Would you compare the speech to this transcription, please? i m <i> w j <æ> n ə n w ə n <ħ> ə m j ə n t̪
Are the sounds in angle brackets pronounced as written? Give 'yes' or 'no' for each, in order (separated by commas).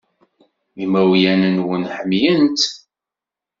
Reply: no, yes, yes